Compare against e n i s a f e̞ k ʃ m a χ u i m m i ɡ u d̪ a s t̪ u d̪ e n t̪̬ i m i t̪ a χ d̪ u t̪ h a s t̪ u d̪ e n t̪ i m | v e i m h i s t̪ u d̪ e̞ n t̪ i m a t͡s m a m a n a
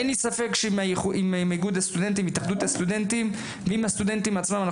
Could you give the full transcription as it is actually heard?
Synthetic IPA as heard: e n i s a f e̞ k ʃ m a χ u i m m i ɡ u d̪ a s t̪ u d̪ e n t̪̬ i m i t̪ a χ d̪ u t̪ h a s t̪ u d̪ e n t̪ i m | v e i m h a s t̪ u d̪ e̞ n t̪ i m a t͡s m a m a n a